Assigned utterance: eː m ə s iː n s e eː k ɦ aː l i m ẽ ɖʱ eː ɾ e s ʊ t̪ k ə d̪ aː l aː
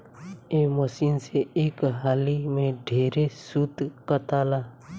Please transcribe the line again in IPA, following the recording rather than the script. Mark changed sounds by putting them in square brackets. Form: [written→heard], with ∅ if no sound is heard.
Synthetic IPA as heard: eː m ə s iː n s e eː k ɦ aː l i m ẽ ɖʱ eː ɾ e s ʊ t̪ k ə [d̪→t̪] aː l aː